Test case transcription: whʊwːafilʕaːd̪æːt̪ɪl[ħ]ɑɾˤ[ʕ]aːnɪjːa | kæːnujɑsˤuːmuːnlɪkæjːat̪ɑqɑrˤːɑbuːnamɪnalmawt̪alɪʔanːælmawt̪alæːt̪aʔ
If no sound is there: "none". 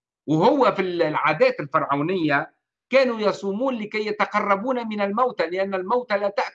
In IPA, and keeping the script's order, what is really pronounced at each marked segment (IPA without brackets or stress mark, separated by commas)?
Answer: f, ʕ